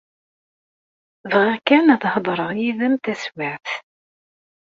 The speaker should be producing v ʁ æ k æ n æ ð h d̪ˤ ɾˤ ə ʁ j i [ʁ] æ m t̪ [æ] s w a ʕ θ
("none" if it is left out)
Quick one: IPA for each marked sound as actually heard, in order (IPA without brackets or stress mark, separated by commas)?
ð, æ